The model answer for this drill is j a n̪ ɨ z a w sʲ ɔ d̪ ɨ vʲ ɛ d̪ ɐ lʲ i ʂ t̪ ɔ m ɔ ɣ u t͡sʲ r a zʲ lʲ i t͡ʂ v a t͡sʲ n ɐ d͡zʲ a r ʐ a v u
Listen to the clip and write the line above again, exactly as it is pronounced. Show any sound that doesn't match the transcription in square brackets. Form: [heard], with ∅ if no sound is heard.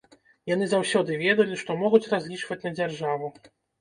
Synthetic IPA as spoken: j a n̪ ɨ z a w sʲ ɔ d̪ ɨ vʲ ɛ d̪ ɐ lʲ i ʂ t̪ ɔ m ɔ ɣ u t͡sʲ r a zʲ lʲ i t͡ʂ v [ɐ] t͡sʲ n ɐ d͡zʲ a r ʐ a v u